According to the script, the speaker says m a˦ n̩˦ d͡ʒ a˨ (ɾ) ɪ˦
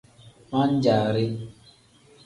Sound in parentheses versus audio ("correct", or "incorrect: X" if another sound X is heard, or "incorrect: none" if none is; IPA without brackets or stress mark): correct